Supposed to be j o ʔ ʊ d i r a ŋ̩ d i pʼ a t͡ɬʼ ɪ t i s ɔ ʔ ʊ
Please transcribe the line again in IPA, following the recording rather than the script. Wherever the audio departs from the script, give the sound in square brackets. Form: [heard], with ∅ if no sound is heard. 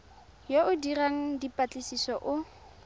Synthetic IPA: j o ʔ ʊ d i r a ŋ̩ d i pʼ a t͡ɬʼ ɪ [s] i s ɔ ʔ ʊ